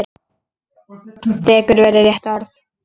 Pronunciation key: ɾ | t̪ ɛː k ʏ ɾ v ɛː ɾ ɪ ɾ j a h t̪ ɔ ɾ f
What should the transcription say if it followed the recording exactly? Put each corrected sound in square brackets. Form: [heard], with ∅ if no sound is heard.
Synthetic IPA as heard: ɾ | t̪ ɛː k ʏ ɾ v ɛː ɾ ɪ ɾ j [ɛ] h t̪ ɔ ɾ [θ]